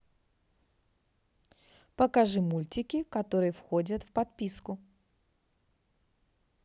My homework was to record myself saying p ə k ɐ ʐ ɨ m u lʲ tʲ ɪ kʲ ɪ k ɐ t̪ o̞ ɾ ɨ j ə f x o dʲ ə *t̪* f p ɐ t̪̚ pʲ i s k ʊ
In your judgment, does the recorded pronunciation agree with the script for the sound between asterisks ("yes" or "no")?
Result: yes